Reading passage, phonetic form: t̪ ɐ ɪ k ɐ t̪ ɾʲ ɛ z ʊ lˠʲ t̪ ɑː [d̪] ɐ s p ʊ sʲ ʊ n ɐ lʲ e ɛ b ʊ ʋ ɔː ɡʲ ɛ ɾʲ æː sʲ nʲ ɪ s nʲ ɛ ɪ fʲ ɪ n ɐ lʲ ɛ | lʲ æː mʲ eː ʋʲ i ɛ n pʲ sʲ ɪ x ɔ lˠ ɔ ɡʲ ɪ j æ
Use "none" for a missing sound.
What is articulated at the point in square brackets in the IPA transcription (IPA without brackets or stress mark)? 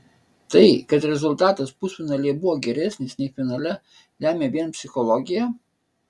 t̪